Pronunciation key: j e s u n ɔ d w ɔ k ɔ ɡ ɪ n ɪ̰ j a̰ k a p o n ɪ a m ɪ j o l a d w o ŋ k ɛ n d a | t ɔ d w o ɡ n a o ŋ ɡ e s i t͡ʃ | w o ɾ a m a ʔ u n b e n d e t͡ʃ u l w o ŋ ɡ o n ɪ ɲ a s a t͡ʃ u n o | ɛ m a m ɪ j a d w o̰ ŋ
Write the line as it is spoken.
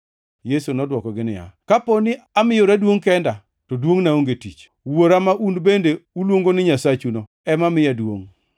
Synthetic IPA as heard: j e s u n ɔ d w ɔ k ɔ ɡ ɪ n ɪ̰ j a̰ k a p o n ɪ a m ɪ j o ɾ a d w o ŋ k ɛ n d a | t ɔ d w o ŋ n a o ŋ ɡ e t i t͡ʃ | w o ɾ a m a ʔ u n b e n d e u l w o ŋ ɡ o n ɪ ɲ a s a t͡ʃ u n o | ɛ m a m ɪ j a d w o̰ ŋ